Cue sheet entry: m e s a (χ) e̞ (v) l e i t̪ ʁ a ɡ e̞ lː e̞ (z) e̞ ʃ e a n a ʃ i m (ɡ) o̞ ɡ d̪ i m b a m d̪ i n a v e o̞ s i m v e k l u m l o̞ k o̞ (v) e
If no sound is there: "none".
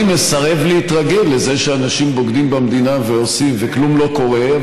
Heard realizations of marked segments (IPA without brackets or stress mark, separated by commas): ʁ, v, z, b, ʁ